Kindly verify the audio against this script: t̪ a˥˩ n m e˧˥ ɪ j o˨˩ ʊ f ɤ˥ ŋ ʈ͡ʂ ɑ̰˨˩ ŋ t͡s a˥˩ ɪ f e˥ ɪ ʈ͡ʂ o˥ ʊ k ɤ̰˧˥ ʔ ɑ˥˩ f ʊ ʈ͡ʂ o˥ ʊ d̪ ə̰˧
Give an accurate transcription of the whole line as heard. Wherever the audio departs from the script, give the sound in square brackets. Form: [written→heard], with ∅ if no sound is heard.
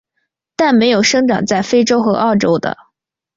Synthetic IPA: t̪ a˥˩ n m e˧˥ ɪ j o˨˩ ʊ [f→ʂ] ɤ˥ ŋ ʈ͡ʂ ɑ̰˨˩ ŋ t͡s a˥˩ ɪ f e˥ ɪ ʈ͡ʂ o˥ ʊ [k→x] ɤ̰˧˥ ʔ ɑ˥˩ [f→∅] ʊ ʈ͡ʂ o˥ ʊ d̪ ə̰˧